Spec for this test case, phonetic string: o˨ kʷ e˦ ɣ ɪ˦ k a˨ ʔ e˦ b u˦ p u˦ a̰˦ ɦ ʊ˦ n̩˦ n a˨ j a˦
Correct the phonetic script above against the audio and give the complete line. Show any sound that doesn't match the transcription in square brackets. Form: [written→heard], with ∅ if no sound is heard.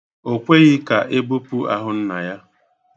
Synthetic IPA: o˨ kʷ e˦ ɣ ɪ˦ k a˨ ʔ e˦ b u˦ p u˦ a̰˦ ɦ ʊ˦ n̩˦ n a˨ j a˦

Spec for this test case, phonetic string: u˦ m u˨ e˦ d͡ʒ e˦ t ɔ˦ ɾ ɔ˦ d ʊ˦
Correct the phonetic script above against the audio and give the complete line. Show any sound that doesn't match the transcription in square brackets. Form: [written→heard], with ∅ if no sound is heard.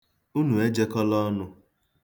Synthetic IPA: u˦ [m→n] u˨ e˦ d͡ʒ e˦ [t→k] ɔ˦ [ɾ→l] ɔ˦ [d→n] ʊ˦

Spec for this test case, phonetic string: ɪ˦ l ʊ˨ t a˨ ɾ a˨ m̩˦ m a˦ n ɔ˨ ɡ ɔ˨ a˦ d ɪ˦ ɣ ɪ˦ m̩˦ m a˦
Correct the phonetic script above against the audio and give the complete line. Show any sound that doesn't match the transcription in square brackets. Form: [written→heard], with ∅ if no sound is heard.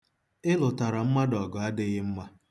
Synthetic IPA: ɪ˦ l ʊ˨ t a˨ ɾ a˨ m̩˦ m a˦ [n→d] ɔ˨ ɡ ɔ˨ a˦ d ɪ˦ ɣ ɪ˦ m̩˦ m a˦

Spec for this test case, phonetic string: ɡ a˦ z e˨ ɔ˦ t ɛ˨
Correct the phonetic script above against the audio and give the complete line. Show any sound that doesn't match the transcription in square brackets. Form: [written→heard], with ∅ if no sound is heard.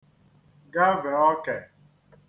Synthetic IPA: ɡ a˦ [z→v] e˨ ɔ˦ [t→k] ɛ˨

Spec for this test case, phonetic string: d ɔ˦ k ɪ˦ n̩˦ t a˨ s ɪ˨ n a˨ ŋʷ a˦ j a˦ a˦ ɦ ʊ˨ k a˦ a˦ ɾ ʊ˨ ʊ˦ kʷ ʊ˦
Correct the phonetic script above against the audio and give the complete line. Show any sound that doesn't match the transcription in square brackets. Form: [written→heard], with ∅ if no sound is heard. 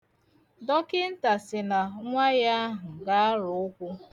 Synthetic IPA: d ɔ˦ k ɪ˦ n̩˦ t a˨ s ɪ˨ n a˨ ŋʷ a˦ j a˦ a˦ ɦ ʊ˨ [k→ɡ] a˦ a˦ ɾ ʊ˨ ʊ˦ kʷ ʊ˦

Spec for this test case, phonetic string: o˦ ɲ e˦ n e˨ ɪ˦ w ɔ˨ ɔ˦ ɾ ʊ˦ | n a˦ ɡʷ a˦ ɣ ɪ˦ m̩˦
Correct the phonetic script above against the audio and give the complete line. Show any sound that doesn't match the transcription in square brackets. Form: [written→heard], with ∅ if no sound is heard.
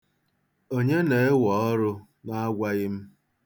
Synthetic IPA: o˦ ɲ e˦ n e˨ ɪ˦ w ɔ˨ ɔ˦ ɾ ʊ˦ | n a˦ ɡʷ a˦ ɣ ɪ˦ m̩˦

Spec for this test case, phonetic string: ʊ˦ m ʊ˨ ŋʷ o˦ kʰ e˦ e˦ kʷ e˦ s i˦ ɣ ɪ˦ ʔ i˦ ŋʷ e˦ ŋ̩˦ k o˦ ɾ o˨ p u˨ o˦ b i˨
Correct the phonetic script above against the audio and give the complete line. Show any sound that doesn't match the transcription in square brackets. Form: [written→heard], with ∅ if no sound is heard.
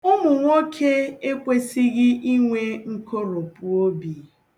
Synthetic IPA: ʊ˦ m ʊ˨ ŋʷ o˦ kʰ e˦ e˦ kʷ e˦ s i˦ ɣ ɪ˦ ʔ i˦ ŋʷ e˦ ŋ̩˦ k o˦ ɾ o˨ p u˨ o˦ b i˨

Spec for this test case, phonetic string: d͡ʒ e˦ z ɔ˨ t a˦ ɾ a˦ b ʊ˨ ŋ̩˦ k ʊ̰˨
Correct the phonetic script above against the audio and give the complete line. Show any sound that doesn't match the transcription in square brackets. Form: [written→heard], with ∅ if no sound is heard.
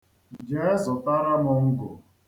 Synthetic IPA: d͡ʒ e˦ z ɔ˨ t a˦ ɾ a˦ [b→m] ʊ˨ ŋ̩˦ [k→ɡ] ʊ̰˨

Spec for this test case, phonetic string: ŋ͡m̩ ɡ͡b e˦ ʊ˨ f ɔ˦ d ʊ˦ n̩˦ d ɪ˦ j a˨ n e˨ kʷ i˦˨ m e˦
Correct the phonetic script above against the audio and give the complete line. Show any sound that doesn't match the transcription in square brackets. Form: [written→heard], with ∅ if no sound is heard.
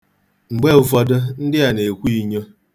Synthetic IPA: ŋ͡m̩ ɡ͡b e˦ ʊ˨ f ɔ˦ d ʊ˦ n̩˦ d ɪ˦ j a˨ n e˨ kʷ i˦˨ [m→ɲ] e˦

